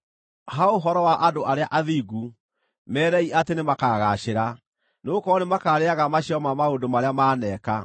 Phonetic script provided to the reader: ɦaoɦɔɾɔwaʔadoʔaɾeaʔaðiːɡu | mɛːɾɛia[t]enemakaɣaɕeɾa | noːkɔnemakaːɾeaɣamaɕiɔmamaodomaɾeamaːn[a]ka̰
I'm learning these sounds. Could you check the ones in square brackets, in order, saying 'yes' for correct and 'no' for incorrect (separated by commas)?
yes, no